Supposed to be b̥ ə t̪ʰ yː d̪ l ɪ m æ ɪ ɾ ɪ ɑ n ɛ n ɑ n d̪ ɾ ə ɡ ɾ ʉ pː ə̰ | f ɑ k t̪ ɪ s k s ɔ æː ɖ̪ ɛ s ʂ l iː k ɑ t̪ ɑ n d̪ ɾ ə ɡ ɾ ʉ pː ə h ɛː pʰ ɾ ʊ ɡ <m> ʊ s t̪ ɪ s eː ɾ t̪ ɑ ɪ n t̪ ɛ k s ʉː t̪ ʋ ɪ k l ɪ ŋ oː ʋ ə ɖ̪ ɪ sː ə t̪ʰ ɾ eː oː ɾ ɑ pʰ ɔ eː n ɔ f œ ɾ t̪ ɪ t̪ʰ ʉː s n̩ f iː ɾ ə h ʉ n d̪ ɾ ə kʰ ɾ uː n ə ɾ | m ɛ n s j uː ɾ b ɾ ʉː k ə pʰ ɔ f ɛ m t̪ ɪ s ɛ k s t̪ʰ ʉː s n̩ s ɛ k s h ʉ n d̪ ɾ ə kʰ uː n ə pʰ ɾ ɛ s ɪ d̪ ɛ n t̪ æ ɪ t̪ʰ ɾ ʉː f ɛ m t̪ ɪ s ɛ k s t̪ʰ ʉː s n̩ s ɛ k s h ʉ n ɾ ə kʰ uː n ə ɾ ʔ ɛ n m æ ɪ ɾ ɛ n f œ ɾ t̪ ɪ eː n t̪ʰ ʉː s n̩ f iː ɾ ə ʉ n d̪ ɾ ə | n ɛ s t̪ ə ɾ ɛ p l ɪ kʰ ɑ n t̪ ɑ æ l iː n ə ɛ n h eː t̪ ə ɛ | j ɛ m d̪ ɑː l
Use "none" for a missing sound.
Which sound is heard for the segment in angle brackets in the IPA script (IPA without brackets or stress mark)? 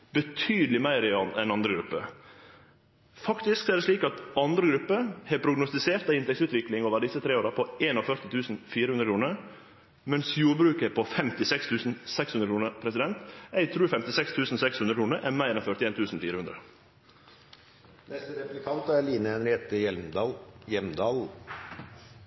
n